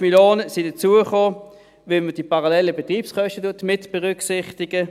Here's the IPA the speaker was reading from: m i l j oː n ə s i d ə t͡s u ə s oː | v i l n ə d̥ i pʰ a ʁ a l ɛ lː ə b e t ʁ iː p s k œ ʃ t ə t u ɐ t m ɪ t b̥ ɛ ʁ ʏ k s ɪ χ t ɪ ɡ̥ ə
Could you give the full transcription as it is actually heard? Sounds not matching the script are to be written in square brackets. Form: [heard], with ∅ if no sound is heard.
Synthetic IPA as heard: m i l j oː n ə s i d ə t͡s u ə [χ] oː | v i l [m] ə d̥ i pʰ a ʁ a l ɛ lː ə b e t ʁ iː p s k œ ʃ t ə t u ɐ t m ɪ t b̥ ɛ ʁ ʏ k s ɪ χ t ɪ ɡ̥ ə

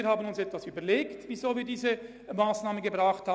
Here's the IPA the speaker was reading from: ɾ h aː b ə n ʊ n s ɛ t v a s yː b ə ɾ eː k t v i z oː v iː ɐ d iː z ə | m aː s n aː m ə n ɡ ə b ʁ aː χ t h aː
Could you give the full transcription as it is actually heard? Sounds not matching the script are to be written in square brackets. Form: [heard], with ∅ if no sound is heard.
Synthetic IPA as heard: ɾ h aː b ə n ʊ n s ɛ t v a s yː b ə [l] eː k t v i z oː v iː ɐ d iː z ə | m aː s n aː m ə n ɡ ə b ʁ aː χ t h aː

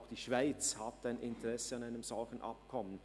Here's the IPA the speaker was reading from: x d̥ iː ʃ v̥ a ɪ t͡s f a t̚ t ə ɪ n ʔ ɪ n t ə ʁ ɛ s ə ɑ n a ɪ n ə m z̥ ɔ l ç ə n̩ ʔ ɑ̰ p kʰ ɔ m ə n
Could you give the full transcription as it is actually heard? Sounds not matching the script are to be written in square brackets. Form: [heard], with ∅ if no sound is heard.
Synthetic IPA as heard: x d̥ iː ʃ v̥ a ɪ t͡s [h] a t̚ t [a] ɪ n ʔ ɪ n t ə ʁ ɛ s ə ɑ n a ɪ n ə m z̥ ɔ l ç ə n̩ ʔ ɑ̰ p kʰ ɔ m ə n

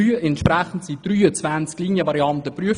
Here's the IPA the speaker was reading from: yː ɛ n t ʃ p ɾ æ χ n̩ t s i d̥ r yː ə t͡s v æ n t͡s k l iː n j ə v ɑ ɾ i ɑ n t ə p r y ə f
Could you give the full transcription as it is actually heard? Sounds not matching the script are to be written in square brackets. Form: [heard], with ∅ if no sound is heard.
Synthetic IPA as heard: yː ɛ n t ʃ p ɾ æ χ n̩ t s i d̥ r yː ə t͡s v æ n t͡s k l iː n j ə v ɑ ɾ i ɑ n t ə p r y ə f

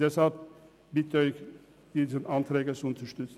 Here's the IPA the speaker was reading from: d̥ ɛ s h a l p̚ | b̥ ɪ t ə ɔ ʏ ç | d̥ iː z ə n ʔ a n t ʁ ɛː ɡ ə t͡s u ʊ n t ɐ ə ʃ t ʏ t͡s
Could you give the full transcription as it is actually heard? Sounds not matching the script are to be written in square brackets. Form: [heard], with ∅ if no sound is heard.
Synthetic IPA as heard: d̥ ɛ s h a l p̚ | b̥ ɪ t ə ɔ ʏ ç | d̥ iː z ə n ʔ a n t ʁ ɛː ɡ ə t͡s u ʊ n t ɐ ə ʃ t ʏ t͡s

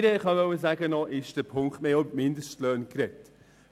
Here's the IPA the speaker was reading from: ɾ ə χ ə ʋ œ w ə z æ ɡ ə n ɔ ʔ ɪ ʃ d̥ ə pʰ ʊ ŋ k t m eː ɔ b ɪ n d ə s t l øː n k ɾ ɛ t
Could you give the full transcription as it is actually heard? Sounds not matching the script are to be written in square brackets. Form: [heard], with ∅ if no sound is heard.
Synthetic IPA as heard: ɾ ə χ [ɑ] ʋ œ w ə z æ ɡ ə n ɔ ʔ ɪ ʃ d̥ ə pʰ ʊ ŋ k t m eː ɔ [m] ɪ n d ə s t l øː n k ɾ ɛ t

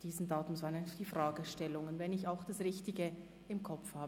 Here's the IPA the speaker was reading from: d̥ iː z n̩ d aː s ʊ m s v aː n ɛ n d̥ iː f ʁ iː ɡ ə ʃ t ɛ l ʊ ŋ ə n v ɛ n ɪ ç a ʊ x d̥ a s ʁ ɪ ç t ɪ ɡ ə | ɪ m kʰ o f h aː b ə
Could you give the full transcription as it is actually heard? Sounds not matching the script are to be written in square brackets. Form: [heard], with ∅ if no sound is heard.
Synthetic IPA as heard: d̥ iː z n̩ d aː [t] ʊ m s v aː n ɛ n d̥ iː f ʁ [aː] ɡ ə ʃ t ɛ l ʊ ŋ ə n v ɛ n ɪ ç a ʊ x d̥ a s ʁ ɪ ç t ɪ ɡ ə | ɪ m kʰ [ɔ] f h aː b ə

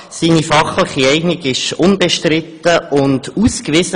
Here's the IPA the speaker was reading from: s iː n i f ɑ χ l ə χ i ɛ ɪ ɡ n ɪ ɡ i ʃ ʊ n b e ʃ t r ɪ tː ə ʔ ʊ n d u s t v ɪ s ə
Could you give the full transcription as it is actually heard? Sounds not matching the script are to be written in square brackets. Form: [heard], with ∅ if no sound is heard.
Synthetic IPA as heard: s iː n i f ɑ χ l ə χ i ɛ ɪ ɡ n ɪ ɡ [ɪ] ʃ ʊ n b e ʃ t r ɪ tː ə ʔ ʊ n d u s [k] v ɪ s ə

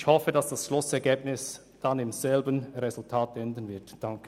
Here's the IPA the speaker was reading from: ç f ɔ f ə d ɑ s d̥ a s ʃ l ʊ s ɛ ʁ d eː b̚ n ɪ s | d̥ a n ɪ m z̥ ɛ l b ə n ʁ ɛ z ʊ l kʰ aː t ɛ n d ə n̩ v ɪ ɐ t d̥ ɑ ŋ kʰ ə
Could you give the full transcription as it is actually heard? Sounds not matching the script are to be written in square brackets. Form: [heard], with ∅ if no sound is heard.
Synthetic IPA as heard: ç [h] ɔ f ə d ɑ s d̥ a s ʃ l ʊ s ɛ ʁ [ɡ] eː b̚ n ɪ s | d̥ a n ɪ m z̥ ɛ l b ə n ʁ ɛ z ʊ l [tʰ] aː t ɛ n d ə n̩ v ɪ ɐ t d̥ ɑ ŋ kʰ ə

